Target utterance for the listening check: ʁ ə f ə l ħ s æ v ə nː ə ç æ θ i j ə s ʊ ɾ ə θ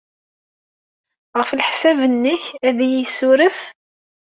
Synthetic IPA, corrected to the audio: ʁ ə f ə l ħ s æ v ə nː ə ç æ ð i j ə s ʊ ɾ ə f